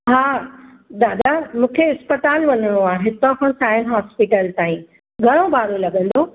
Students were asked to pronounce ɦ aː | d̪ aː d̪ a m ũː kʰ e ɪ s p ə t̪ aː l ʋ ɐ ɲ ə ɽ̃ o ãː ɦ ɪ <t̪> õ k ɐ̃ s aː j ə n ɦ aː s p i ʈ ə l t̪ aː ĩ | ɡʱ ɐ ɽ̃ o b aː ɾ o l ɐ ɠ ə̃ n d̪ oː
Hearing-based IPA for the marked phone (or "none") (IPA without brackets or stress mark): t̪